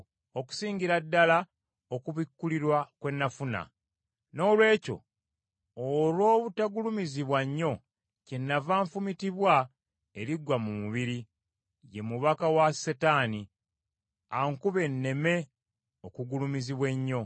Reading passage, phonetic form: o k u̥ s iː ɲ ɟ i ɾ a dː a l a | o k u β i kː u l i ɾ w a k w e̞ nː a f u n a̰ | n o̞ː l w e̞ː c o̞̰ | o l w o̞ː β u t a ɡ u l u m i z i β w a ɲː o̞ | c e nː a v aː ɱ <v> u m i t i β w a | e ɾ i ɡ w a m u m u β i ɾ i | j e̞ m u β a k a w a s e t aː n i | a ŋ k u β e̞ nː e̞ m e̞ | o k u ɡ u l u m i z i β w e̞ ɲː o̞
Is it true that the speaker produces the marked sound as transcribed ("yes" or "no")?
no